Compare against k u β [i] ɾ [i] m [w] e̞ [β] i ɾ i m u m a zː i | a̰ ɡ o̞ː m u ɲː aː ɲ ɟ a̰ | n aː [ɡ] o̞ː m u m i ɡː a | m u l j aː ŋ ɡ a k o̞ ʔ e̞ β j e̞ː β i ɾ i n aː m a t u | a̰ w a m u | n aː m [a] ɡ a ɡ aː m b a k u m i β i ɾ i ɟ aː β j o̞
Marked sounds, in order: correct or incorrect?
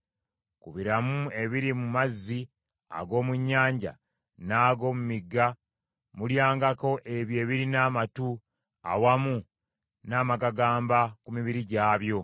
correct, incorrect: a, incorrect: u, correct, correct, correct

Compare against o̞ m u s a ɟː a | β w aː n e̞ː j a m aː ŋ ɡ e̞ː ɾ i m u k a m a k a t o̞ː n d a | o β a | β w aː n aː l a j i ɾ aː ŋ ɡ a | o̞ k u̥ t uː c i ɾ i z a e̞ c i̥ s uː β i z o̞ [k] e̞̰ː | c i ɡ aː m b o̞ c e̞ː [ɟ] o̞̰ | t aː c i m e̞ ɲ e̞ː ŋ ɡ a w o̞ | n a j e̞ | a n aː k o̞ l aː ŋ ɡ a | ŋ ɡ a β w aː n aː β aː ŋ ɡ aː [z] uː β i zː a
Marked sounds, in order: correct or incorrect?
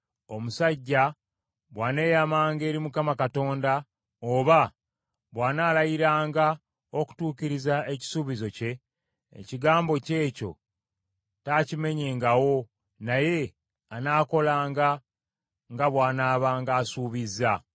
incorrect: c, incorrect: c, incorrect: s

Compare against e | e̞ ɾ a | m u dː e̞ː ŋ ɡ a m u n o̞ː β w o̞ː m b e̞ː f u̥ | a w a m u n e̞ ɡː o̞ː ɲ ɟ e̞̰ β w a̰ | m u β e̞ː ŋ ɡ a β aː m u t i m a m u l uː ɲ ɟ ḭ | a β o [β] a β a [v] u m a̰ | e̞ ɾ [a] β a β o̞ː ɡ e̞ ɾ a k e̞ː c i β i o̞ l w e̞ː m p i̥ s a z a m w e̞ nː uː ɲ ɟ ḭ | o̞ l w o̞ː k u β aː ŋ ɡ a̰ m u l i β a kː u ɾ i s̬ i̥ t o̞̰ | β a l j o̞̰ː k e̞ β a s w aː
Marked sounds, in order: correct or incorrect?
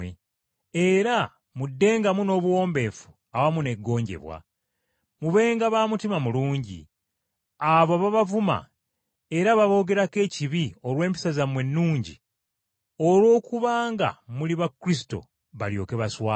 correct, correct, correct

